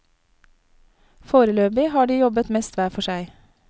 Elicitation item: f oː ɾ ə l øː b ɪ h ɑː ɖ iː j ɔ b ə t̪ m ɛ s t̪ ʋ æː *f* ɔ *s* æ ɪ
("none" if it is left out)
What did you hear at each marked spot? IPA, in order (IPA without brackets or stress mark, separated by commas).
f, ʃ